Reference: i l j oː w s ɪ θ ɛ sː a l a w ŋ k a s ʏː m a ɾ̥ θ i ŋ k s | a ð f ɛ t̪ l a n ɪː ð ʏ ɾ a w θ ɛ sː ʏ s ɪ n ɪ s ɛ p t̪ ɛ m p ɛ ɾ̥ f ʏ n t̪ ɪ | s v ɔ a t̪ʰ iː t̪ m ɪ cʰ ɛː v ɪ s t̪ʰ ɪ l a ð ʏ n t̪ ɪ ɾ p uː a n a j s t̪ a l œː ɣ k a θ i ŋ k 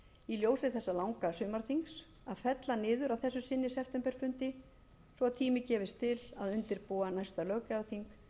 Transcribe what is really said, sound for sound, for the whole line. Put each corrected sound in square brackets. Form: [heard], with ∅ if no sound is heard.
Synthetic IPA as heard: i l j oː w s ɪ θ ɛ sː a l a w ŋ k a s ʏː m a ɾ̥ θ i ŋ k s | a ð f ɛ t̪ l a n ɪː ð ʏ ɾ a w θ ɛ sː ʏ s ɪ [nː] ɪ s ɛ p t̪ ɛ m p ɛ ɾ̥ f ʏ n t̪ ɪ | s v ɔ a t̪ʰ iː [∅] m ɪ [c] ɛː v ɪ s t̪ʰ ɪ l a ð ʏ n t̪ ɪ ɾ p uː a n a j s t̪ a l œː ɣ k a θ i ŋ k